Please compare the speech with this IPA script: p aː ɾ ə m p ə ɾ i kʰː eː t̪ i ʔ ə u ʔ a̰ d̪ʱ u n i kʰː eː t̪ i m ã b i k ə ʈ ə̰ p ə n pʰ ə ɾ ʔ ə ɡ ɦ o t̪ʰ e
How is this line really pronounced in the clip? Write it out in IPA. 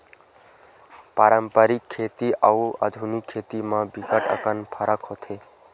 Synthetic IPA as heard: p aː ɾ ə m p ə ɾ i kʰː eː t̪ i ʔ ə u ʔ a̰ d̪ʱ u n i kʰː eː t̪ i m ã b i k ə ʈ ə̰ k ə n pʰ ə ɾ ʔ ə k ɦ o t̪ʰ e